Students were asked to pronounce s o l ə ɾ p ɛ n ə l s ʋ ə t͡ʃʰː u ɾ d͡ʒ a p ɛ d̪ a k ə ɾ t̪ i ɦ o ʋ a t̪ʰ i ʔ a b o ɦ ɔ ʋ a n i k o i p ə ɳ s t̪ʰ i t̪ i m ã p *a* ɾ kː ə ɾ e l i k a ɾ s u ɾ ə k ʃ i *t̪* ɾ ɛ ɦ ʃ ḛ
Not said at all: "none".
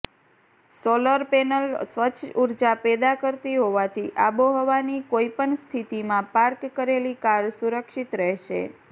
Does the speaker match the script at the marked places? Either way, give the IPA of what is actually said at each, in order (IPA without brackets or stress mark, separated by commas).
a, t̪